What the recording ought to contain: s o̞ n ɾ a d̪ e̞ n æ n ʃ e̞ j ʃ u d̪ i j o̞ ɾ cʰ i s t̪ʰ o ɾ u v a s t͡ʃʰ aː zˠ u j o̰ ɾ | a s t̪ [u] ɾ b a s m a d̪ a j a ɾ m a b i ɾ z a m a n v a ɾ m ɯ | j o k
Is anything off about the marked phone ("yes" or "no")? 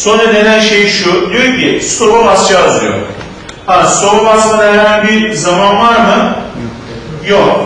yes